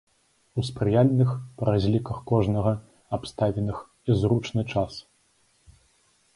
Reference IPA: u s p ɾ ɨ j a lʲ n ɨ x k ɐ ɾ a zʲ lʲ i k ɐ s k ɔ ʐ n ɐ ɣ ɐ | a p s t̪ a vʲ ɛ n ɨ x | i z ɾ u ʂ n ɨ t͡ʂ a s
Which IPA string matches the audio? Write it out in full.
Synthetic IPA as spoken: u s p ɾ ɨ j a lʲ n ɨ x p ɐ ɾ a zʲ lʲ i k ɐ x k ɔ ʐ n ɐ ɣ ɐ | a p s t̪ a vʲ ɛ n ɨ x | i z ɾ u t͡ʂ n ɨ t͡ʂ a s